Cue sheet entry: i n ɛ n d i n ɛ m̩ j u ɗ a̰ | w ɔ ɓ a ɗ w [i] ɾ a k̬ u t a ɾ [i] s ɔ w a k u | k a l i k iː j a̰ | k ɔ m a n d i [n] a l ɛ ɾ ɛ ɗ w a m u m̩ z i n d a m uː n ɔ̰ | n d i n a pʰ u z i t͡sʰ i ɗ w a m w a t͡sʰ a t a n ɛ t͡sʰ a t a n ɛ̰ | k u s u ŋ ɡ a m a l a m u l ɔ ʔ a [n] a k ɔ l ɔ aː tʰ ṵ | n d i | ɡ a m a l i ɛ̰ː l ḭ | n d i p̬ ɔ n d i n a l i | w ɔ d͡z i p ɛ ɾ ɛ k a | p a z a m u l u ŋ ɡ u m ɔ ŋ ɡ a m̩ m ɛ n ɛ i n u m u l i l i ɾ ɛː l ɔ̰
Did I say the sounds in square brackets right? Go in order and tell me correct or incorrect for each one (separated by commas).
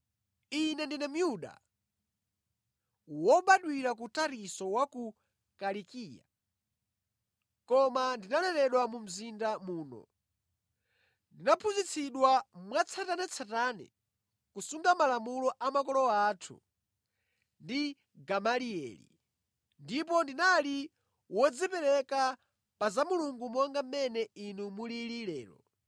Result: correct, correct, correct, incorrect